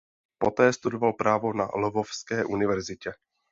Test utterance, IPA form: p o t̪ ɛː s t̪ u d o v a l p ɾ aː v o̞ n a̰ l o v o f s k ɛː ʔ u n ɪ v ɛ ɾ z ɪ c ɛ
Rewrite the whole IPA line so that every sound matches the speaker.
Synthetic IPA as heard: p o t̪ ɛː s t̪ u d o v a l p ɾ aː v o̞ n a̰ l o v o f s k ɛː ʔ u n ɪ v ɛ ɾ z ɪ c ɛ